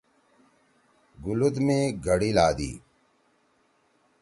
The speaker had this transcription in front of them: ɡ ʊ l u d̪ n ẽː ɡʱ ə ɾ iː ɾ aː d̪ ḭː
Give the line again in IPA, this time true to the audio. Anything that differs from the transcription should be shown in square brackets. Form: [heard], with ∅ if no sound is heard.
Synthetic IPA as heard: ɡ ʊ l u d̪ [m] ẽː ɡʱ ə [ɽ] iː [l] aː d̪ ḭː